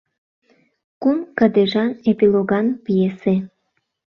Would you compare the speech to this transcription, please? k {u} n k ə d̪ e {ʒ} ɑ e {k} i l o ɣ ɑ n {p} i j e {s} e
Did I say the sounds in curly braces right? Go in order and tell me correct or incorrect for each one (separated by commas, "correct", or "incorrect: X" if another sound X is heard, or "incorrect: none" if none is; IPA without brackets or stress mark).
correct, correct, incorrect: p, correct, correct